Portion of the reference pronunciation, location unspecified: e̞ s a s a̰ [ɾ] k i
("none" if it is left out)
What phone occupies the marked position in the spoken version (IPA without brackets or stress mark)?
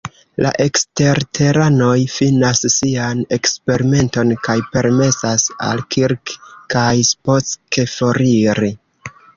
l